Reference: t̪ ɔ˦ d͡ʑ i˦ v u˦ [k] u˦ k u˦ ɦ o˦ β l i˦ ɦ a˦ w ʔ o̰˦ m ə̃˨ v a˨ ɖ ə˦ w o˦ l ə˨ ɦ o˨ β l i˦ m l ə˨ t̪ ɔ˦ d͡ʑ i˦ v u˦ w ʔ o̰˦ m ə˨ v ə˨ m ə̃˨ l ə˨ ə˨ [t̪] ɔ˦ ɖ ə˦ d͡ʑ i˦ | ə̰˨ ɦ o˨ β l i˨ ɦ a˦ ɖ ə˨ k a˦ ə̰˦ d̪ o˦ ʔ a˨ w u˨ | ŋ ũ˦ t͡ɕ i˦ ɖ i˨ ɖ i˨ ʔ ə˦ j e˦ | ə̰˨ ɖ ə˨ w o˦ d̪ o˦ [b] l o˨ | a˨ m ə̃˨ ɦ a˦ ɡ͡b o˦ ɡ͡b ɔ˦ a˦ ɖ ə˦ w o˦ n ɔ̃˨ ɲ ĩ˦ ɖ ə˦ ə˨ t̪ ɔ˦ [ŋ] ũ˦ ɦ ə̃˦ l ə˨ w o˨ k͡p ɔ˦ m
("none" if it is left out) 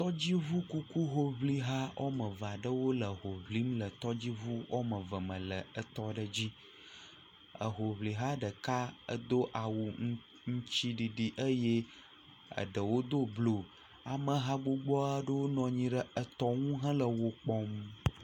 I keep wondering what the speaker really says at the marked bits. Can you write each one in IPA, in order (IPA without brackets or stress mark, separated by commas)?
k, t̪, b, ŋ